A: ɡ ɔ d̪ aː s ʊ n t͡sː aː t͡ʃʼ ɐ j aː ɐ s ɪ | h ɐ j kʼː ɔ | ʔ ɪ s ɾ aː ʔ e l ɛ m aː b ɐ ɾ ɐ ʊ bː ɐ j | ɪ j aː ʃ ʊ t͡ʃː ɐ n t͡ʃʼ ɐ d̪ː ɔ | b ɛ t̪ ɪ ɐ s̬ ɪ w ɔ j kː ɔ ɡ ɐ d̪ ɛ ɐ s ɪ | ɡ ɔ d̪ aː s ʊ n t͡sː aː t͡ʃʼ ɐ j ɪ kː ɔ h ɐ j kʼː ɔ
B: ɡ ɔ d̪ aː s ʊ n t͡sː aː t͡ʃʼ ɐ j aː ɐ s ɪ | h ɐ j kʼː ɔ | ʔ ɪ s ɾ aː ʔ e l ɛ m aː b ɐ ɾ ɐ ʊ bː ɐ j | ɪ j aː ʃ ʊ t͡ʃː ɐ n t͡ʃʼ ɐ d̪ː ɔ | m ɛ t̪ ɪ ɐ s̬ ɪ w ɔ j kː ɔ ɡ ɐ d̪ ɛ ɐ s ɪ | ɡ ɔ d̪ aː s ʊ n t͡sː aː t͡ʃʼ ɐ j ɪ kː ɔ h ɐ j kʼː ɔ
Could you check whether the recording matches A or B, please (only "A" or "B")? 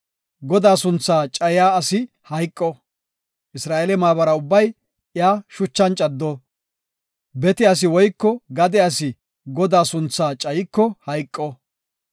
A